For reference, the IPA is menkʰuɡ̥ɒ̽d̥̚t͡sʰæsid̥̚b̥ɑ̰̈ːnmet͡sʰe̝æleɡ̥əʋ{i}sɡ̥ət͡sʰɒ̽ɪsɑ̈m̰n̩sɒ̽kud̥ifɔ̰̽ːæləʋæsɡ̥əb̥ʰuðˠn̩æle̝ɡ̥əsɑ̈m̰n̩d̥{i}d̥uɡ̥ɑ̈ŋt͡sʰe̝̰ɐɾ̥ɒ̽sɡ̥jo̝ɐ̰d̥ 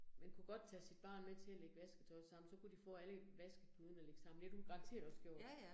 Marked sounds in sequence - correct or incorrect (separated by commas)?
incorrect, incorrect